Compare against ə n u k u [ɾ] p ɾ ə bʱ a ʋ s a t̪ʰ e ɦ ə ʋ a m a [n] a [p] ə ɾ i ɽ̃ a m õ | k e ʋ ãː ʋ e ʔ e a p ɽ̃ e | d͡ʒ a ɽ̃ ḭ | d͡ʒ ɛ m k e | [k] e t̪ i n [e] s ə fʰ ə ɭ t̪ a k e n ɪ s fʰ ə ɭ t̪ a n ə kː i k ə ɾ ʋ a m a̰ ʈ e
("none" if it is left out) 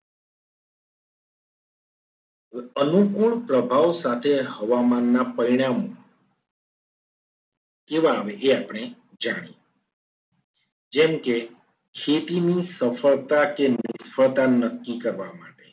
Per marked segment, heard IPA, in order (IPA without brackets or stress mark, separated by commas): ɭ, nː, p, kʰ, i